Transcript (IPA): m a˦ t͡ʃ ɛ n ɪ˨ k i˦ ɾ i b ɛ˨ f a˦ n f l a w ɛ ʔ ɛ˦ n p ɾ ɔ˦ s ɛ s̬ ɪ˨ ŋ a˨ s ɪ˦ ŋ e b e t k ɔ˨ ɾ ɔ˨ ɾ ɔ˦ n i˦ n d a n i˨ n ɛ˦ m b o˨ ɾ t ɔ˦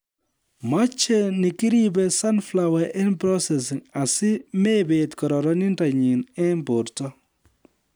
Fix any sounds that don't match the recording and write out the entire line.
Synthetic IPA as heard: m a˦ t͡ʃ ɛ n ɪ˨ k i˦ ɾ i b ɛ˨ s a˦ n f l a w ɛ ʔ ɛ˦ n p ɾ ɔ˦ s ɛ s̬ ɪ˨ ŋ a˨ s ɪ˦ m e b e t k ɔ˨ ɾ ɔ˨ ɾ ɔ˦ n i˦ n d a ɲ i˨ n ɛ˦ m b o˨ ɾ t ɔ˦